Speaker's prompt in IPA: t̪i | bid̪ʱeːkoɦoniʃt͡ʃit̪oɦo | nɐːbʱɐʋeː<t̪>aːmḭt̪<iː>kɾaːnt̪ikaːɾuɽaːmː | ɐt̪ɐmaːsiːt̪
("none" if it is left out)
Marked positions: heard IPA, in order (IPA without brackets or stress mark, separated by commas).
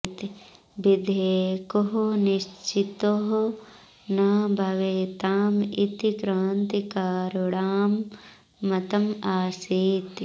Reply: t̪, i